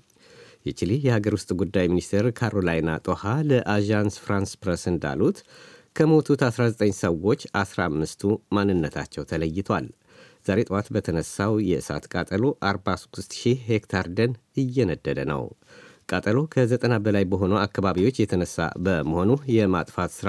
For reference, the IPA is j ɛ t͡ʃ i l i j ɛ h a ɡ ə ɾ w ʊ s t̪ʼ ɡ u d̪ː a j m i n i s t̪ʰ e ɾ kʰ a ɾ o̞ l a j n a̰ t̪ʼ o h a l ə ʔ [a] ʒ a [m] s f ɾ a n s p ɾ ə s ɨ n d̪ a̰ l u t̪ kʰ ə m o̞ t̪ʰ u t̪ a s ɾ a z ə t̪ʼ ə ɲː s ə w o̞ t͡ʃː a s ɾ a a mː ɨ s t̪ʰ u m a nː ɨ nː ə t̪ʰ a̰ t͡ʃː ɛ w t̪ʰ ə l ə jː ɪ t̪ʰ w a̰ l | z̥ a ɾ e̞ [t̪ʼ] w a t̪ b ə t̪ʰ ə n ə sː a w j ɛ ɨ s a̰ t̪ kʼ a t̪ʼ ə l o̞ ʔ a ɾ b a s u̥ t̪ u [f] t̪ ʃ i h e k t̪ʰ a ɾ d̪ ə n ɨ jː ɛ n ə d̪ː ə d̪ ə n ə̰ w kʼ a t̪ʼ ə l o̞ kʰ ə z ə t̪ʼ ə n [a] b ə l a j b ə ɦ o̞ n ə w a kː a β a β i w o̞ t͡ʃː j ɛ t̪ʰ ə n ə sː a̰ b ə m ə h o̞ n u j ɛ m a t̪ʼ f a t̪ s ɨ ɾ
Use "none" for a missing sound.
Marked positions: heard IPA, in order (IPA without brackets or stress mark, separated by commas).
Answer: a, n, t̪ʼ, s, a